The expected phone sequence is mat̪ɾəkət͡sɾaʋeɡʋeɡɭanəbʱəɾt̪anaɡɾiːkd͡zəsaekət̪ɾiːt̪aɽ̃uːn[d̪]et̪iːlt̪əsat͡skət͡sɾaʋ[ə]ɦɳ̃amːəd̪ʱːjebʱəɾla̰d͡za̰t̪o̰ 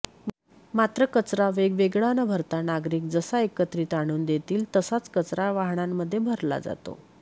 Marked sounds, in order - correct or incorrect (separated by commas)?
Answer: correct, incorrect